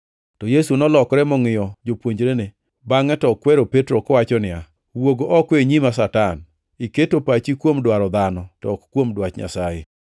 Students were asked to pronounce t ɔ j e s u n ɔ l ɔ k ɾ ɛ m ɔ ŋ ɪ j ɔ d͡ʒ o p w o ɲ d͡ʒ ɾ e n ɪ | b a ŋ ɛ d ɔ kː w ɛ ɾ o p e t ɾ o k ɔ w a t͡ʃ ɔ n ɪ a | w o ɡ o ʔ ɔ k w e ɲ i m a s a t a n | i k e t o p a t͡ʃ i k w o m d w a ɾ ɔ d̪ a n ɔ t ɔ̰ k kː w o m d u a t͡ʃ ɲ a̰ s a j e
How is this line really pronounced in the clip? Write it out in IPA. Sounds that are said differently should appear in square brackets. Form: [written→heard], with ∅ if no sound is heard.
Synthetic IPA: t ɔ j e s u n ɔ l ɔ k ɾ ɛ m ɔ ŋ ɪ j ɔ d͡ʒ o p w o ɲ d͡ʒ ɾ e n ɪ | b a ŋ ɛ [d→t] ɔ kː w ɛ ɾ o p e t ɾ o k ɔ w a t͡ʃ ɔ n ɪ a | w o ɡ o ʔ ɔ k w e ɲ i m a s a t a n | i k e t o p a t͡ʃ i k w o m d w a ɾ ɔ d̪ a n ɔ t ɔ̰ k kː w o m d [u→w] a t͡ʃ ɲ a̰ s a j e